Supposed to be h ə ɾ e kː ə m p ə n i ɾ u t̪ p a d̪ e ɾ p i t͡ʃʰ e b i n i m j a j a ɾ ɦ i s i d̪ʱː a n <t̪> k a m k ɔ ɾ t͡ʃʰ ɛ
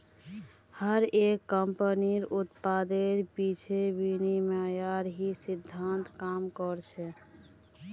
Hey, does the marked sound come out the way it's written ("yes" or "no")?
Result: yes